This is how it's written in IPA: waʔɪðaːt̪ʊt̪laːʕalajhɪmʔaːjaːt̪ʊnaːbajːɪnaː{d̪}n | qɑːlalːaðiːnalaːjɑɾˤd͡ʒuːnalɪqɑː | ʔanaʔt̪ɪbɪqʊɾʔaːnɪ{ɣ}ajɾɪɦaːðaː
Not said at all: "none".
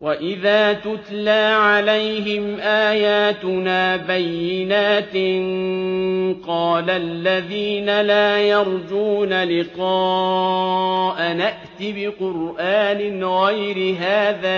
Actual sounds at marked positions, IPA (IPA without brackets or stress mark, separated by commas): t̪, ɣ